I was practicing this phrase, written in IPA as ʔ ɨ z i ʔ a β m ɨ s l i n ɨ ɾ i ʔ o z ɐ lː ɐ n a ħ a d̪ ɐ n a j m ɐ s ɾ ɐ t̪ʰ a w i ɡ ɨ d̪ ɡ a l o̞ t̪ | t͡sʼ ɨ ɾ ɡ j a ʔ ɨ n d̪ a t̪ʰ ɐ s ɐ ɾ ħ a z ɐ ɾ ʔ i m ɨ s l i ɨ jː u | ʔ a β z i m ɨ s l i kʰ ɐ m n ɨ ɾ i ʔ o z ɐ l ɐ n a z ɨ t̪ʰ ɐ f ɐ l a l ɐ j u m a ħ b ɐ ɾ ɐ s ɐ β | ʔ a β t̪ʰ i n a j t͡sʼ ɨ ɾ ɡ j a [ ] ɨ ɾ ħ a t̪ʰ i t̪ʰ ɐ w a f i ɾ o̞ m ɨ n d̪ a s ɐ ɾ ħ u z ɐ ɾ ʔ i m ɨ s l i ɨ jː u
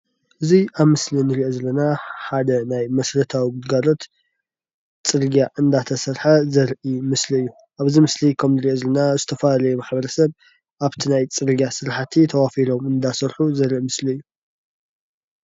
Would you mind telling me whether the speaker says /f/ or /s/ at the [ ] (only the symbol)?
s